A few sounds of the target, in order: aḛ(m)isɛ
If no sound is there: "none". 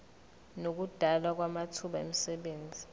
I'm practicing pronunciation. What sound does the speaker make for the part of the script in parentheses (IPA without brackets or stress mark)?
m